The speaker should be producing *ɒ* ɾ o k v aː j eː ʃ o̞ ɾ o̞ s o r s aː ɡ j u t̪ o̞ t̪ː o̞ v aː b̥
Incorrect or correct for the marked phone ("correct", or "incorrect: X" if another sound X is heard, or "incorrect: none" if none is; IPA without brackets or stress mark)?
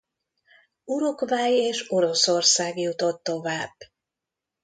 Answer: incorrect: u